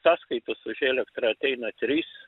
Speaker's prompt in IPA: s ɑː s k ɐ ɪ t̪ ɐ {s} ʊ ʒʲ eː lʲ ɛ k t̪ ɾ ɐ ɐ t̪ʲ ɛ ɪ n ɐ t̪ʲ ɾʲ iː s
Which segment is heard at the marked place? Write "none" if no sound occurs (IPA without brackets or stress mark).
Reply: s